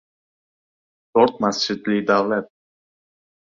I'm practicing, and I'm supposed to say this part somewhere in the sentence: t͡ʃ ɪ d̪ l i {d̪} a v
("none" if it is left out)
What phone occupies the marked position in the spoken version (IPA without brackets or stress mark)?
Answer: d̪